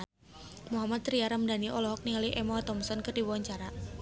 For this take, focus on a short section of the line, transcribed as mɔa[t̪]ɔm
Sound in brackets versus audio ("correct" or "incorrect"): correct